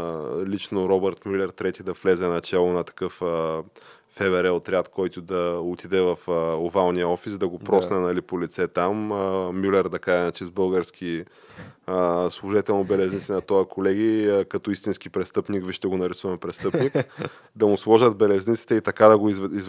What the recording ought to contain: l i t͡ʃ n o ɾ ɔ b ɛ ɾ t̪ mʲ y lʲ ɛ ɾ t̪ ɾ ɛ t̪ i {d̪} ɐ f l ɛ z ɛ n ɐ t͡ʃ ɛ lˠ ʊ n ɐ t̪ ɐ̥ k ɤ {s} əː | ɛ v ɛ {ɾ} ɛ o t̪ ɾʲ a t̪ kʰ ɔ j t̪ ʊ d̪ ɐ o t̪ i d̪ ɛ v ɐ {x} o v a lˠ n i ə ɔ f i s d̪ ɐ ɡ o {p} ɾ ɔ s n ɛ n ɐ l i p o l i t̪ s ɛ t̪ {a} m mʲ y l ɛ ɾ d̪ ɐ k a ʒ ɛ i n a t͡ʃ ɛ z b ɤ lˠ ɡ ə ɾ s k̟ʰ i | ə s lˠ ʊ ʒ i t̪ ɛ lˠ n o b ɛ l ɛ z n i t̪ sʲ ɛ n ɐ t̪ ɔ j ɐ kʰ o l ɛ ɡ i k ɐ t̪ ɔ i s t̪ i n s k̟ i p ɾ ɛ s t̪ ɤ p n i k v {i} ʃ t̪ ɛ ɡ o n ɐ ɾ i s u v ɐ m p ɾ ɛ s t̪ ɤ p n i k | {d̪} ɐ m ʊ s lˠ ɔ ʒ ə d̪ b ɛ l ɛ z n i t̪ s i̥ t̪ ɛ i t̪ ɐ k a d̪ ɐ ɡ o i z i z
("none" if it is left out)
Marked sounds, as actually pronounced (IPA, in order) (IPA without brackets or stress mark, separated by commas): d̪, f, ɾ, f, p, a, i, d̪